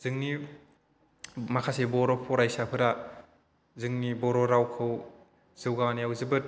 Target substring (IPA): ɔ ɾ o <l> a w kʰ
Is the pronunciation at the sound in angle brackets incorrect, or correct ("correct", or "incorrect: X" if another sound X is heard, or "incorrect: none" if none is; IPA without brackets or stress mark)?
incorrect: ɾ